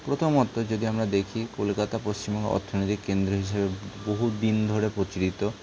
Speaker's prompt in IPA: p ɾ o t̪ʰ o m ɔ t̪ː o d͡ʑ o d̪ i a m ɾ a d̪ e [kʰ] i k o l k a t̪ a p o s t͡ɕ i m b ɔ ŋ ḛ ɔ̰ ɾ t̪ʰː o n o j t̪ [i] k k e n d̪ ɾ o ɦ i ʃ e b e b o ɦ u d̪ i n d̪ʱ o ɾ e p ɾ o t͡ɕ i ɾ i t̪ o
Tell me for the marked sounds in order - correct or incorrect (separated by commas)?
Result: correct, correct